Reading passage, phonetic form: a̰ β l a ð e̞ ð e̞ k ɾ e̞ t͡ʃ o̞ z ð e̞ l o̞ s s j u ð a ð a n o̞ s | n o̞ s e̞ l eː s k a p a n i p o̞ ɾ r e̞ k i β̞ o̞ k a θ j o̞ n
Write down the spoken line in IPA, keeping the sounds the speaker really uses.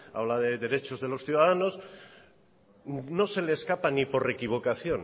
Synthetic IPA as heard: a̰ β l a ð e̞ ð e̞ ɾ e̞ t͡ʃ o̞ z ð e̞ l o̞ s θ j u ð a ð a n o̞ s | n o̞ s e̞ l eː s k a p a n i p o̞ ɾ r e̞ k i β̞ o̞ k a θ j o̞ n

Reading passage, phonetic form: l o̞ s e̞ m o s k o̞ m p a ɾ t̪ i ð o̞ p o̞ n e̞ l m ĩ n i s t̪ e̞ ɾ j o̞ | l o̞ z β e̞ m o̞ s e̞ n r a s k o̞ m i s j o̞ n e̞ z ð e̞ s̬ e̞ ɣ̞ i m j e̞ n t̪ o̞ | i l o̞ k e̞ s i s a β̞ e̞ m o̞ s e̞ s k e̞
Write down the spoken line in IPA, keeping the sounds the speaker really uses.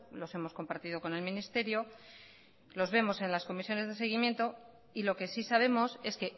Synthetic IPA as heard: l o̞ s e̞ m o s k o̞ m p a ɾ t̪ i ð o̞ k o̞ n e̞ l m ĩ n i s t̪ e̞ ɾ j o̞ | l o̞ z β e̞ m o̞ s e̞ n l a s k o̞ m i s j o̞ n e̞ z ð e̞ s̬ e̞ ɣ̞ i m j e̞ n t̪ o̞ | i l o̞ k e̞ s i s a β̞ e̞ m o̞ s e̞ s k e̞

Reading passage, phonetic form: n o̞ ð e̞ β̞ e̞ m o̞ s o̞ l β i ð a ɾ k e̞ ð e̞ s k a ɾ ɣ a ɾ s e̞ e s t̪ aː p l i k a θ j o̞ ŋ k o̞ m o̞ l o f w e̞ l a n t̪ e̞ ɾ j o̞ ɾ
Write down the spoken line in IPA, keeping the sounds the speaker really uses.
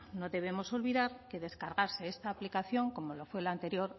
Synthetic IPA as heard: n o̞ ð e̞ β̞ e̞ m o̞ s o̞ l β i ð a ɾ k e̞ ð e̞ s k a ɾ ɣ a ɾ s e̞ e s t̪ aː p l i k a θ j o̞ ŋ k o̞ m o̞ l o f w e̞ l a n t̪ e̞ ɾ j o̞ ɾ

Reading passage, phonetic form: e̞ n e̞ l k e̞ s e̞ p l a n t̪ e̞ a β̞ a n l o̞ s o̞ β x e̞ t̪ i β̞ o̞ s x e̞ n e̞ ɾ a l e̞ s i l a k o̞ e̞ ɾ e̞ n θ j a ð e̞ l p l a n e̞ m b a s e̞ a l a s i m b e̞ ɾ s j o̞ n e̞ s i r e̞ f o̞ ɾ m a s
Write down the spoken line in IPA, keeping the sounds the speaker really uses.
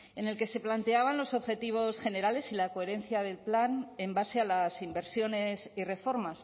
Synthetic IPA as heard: e̞ n e̞ l k e̞ s e̞ p l a n t̪ e̞ a β̞ a n l o̞ s o̞ β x e̞ t̪ i β̞ o̞ s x e̞ n e̞ ɾ a l e̞ s i l a k o̞ e̞ ɾ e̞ n θ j a ð e̞ l p l a n e̞ m b a s e̞ a l a s i m b e̞ ɾ s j o̞ n e̞ s i r e̞ f o̞ ɾ m a s

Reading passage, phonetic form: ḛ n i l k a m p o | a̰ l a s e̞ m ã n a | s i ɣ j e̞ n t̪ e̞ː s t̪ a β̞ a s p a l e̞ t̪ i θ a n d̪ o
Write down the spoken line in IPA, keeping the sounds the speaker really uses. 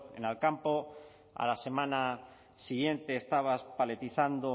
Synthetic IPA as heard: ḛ n a l k a m p o | a̰ l a s e̞ m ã n a | s i ɣ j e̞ n t̪ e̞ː s t̪ a β̞ a s p a l e̞ t̪ i θ a n d̪ o

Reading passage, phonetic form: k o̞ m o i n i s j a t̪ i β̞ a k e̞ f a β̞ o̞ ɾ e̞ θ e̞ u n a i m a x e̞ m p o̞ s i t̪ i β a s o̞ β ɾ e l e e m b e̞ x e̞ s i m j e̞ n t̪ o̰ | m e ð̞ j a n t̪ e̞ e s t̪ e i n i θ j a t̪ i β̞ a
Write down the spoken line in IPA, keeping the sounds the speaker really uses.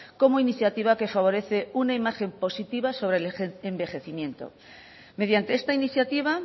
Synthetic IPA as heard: k o̞ m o i n i θ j a t̪ i β̞ a k e̞ f a β̞ o̞ ɾ e̞ θ e̞ u n a i m a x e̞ m p o̞ s i t̪ i β a s o̞ β ɾ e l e e m b e̞ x e̞ θ i m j e̞ n t̪ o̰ | m e ð̞ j a n t̪ e̞ e s t̪ a i n i θ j a t̪ i β̞ a

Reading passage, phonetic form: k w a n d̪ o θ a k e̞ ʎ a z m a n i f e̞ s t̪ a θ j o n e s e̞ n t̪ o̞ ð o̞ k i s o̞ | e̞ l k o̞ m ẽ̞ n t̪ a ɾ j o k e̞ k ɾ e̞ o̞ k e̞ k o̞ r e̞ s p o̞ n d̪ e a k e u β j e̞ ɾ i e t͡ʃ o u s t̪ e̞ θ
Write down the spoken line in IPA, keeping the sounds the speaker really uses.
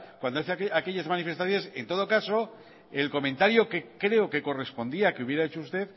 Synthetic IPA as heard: k w a n d̪ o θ a k e̞ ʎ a z m a n i f e̞ s t̪ a θ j o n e s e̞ n t̪ o̞ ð o̞ k a s o̞ | e̞ l k o̞ m ẽ̞ n t̪ a ɾ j o k e̞ k ɾ e̞ o̞ k e̞ k o̞ r e̞ s p o̞ n d̪ i a k e u β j e̞ ɾ a e t͡ʃ o u s t̪ e̞ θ

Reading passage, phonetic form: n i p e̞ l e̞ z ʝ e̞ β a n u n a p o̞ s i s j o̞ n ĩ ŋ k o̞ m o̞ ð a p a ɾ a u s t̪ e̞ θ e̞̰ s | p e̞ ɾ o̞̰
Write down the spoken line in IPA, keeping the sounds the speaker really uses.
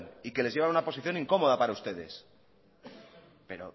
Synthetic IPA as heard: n i k e̞ l e̞ z ʝ e̞ β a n u n a p o̞ s i θ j o̞ n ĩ ŋ k o̞ m o̞ ð a p a ɾ a u s t̪ e̞ ð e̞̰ s | p e̞ ɾ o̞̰

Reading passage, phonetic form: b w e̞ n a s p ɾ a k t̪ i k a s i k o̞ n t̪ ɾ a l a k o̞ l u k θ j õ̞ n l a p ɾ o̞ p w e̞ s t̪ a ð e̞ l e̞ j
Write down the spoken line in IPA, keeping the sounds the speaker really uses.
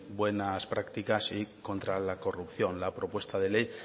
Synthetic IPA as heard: b w e̞ n a s p ɾ a k t̪ i k a s i k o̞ n t̪ ɾ a l a k o̞ r u p θ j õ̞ n l a p ɾ o̞ p w e̞ s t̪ a ð e̞ l e̞ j

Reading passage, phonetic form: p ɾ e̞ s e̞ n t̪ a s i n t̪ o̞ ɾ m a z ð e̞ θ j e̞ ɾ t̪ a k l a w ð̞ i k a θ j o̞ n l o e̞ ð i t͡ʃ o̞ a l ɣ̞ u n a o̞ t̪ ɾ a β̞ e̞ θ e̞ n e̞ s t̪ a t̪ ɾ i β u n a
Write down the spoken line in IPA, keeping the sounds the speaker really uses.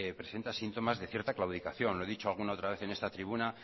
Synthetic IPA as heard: p ɾ e̞ s e̞ n t̪ a s i n t̪ o̞ m a z ð e̞ θ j e̞ ɾ t̪ a k l a w ð̞ i k a θ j o̞ n l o e̞ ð i t͡ʃ o̞ a l ɣ̞ u n a o̞ t̪ ɾ a β̞ e̞ θ e̞ n e̞ s t̪ a t̪ ɾ i β u n a

